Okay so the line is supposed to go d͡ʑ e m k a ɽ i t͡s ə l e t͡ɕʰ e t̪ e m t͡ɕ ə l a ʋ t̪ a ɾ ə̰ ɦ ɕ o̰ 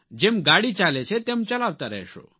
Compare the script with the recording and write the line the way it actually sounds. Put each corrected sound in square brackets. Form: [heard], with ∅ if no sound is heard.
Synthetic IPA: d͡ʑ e m [ɡ] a ɽ i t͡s [a] l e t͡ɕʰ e t̪ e m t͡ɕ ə l a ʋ t̪ a ɾ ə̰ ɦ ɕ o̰